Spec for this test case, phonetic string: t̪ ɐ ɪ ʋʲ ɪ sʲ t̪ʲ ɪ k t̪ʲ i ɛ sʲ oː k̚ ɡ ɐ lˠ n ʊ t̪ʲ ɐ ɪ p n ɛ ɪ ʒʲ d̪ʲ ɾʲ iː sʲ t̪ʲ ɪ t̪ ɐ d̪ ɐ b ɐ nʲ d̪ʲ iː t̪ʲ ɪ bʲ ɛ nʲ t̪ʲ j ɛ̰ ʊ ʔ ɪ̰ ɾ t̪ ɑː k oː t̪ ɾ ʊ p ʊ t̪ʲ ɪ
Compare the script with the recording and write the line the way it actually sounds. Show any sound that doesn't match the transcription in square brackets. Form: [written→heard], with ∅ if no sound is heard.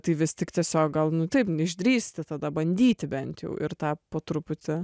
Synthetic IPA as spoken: t̪ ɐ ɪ ʋʲ ɪ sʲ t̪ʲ ɪ k t̪ʲ i ɛ sʲ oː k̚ ɡ ɐ lˠ n ʊ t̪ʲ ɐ ɪ p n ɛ ɪ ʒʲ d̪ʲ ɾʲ iː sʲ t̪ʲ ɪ t̪ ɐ d̪ ɐ b ɐ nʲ d̪ʲ iː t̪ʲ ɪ bʲ ɛ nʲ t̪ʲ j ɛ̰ ʊ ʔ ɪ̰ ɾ t̪ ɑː [k→p] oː t̪ ɾ ʊ p ʊ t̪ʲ ɪ